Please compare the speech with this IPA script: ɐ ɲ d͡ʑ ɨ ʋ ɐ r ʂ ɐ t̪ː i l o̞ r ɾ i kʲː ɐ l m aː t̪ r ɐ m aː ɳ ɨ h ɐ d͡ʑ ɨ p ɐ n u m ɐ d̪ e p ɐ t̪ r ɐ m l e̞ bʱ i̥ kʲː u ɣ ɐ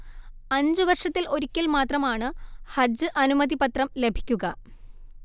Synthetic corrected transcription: ɐ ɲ d͡ʑ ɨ ʋ ɐ r ʂ ɐ t̪ː i l o̞ ɾ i kʲː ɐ l m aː t̪ r ɐ m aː ɳ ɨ h ɐ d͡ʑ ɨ ʔ ɐ n u m ɐ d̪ i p ɐ t̪ r ɐ m l e̞ bʱ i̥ kʲː u ɣ ɐ

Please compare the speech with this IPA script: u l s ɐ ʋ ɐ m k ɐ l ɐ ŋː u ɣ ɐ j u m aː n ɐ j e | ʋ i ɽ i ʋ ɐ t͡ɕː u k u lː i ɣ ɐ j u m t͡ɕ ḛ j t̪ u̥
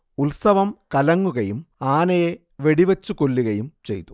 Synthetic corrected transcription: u l s ɐ ʋ ɐ m k ɐ l ɐ ŋː u ɣ ɐ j u m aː n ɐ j e | ʋ e ɽ i ʋ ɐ t͡ɕː u k o lː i ɣ ɐ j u m t͡ɕ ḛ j t̪ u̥

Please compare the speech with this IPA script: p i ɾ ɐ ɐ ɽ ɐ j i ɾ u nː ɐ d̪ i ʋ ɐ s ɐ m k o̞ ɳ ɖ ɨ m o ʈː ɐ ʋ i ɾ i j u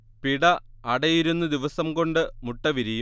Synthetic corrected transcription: p i ɽ ɐ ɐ ɽ ɐ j i ɾ u nː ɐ d̪ i ʋ ɐ s ɐ m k o̞ ɳ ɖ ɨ m u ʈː ɐ ʋ i ɾ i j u

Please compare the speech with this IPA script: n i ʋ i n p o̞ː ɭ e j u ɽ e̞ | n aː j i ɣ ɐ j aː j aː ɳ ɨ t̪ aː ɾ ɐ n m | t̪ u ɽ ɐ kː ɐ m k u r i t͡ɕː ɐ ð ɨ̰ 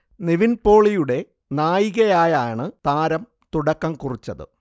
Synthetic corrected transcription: n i ʋ i n p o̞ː ɭ i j u ɽ e̞ | n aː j i ɣ ɐ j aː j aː ɳ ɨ t̪ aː ɾ ɐ m | t̪ u ɽ ɐ kː ɐ m k u r i t͡ɕː ɐ ð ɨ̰

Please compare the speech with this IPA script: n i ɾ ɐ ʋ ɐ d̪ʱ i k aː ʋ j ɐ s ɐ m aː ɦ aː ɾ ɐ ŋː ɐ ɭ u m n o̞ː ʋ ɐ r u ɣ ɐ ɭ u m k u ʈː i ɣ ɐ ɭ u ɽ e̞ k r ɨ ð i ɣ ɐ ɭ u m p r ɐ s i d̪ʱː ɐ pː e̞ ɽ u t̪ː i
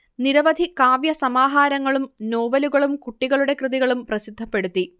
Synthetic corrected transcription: n i ɾ ɐ ʋ ɐ d̪ʱ i k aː ʋ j ɐ s ɐ m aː ɦ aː ɾ ɐ ŋː ɐ ɭ u m n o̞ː ʋ ɐ l u ɣ ɐ ɭ u m k u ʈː i ɣ ɐ ɭ u ɽ e̞ k r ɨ ð i ɣ ɐ ɭ u m p r ɐ s i d̪ʱː ɐ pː e̞ ɽ u t̪ː i

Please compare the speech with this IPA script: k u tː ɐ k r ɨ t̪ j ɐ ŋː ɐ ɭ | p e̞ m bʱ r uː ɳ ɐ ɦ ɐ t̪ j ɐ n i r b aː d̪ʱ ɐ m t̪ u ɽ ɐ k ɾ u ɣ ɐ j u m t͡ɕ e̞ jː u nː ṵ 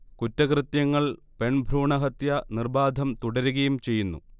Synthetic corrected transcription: k u tː ɐ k r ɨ t̪ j ɐ ŋː ɐ ɭ | p e̞ ɳ bʱ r uː ɳ ɐ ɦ ɐ t̪ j ɐ n i r b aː d̪ʱ ɐ m t̪ u ɽ ɐ ɾ u ɣ ɐ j u m t͡ɕ e̞ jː u nː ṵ

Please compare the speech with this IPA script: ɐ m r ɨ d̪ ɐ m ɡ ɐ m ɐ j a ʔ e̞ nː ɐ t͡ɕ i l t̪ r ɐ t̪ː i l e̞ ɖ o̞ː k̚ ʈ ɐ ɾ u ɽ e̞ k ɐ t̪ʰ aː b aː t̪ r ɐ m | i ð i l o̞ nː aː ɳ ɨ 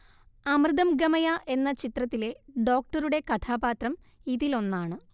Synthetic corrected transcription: ɐ m r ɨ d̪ ɐ m ɡ ɐ m ɐ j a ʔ e̞ nː ɐ t͡ɕ i t̪ r ɐ t̪ː i l e̞ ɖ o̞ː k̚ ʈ ɐ ɾ u ɽ e̞ k ɐ t̪ʰ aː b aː t̪ r ɐ m | i ð i l o̞ nː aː ɳ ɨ

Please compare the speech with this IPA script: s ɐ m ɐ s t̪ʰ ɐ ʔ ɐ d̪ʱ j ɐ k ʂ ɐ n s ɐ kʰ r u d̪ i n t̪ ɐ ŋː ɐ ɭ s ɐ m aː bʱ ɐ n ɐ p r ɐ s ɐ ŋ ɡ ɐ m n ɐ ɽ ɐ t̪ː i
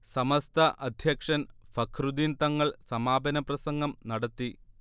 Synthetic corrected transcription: s ɐ m ɐ s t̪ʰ ɐ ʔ ɐ d̪ʱ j ɐ k ʂ ɐ n f ɐ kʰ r u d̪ i n t̪ ɐ ŋː ɐ ɭ s ɐ m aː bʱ ɐ n ɐ p r ɐ s ɐ ŋ ɡ ɐ m n ɐ ɽ ɐ t̪ː i

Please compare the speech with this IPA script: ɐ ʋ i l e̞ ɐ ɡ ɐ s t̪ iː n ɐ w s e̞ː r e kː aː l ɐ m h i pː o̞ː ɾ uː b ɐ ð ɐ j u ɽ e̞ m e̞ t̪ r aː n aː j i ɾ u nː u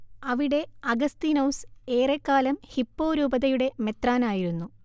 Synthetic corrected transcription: ɐ ʋ i ɽ e̞ ɐ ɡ ɐ s t̪ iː n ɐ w s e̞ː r e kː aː l ɐ m h i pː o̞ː ɾ uː b ɐ ð ɐ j u ɽ e̞ m e̞ t̪ r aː n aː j i ɾ u nː u

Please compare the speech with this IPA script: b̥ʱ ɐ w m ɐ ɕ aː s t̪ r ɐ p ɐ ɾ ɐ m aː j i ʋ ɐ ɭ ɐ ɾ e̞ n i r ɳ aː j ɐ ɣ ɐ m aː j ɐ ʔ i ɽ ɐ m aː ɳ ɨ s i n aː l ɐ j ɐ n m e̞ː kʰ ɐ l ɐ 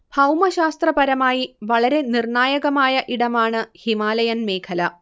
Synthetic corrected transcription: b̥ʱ ɐ w m ɐ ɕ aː s t̪ r ɐ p ɐ ɾ ɐ m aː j i ʋ ɐ ɭ ɐ ɾ e̞ n i r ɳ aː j ɐ ɣ ɐ m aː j ɐ ʔ i ɽ ɐ m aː ɳ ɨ h i m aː l ɐ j ɐ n m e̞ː kʰ ɐ l ɐ

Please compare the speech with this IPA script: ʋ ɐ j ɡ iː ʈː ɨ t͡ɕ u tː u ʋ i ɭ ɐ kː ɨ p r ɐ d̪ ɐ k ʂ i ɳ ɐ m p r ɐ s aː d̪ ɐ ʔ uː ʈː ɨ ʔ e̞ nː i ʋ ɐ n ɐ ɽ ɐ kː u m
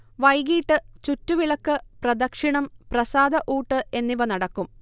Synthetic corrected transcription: ʋ ɐ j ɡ iː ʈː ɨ t͡ɕ u tː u ʋ i ɭ ɐ kː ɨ p r ɐ d̪ ɐ k ʂ i ɳ ɐ m p r ɐ s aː d̪ ɐ ʔ uː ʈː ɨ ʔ e̞ nː i ʋ ɐ n ɐ ɽ ɐ kː u m

